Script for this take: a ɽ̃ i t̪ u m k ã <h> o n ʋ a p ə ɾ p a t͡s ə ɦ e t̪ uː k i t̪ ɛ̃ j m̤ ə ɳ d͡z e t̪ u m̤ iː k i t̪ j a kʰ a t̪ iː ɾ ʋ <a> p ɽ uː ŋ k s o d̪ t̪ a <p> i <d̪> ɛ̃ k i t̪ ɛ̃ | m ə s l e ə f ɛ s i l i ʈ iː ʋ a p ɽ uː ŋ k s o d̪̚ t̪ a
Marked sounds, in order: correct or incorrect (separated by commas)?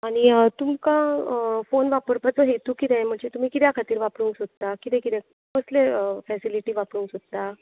incorrect, correct, incorrect, incorrect